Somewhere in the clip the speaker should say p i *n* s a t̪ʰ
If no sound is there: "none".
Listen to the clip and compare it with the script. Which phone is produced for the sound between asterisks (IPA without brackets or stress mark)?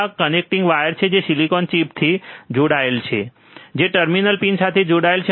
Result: n